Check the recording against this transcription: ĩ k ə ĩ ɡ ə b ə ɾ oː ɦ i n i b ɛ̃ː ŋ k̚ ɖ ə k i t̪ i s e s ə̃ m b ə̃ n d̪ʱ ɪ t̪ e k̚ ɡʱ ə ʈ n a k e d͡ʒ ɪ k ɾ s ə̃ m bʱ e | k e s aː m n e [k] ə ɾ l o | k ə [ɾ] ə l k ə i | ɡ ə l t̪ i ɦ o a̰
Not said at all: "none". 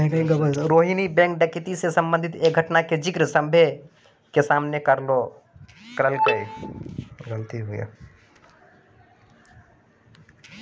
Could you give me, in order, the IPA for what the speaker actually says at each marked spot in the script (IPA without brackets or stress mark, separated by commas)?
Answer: k, ɾ